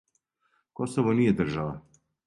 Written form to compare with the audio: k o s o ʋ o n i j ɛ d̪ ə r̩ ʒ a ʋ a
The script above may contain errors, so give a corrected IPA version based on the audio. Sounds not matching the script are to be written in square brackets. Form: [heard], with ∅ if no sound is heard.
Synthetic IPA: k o s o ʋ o n i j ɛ d̪ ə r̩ ʒ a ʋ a

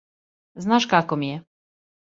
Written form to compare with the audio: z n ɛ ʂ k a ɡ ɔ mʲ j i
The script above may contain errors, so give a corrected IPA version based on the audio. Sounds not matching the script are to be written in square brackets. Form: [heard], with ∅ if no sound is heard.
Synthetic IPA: z n [a] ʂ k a [k] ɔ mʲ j [ɛ]

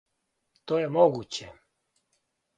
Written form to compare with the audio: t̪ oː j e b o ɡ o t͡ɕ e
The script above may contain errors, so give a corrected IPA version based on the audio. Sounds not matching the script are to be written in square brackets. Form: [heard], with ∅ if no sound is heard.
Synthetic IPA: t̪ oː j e [m] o ɡ [u] t͡ɕ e

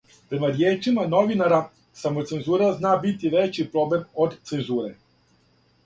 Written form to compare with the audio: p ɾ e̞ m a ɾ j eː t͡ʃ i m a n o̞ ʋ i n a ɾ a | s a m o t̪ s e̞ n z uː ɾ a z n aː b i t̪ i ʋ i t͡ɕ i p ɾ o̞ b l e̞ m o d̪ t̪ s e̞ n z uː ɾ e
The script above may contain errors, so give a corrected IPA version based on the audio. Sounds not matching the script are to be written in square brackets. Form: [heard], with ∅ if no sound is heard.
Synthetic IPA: p ɾ e̞ m a ɾ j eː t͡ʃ i m a n o̞ ʋ i n a ɾ a | s a m o t̪ s e̞ n z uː ɾ a z n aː b i t̪ i ʋ [e] t͡ɕ i p ɾ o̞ b l e̞ m o d̪ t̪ s e̞ n z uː ɾ e

